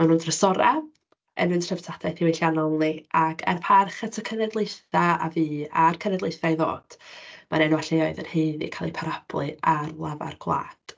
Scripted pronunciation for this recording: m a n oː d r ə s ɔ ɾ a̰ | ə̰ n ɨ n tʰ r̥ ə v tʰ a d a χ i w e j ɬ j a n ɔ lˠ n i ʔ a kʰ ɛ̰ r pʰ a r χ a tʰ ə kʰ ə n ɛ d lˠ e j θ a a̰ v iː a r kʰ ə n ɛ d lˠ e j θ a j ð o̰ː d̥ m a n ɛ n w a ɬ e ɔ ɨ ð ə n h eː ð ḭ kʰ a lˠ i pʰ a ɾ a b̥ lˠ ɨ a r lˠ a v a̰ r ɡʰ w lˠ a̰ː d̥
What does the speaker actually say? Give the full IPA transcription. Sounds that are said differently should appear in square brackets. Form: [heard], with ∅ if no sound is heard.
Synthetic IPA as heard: m a n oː d r ə s ɔ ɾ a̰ | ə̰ n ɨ n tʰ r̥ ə v tʰ a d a [θ] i w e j ɬ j a n ɔ lˠ n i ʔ a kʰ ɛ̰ r pʰ a r χ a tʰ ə kʰ ə n ɛ d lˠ e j θ a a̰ v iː a r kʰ ə n ɛ d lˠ e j θ a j ð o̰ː d̥ m a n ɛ n w a ɬ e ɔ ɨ ð ə n h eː ð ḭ kʰ a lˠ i pʰ a ɾ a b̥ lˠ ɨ a r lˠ a v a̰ r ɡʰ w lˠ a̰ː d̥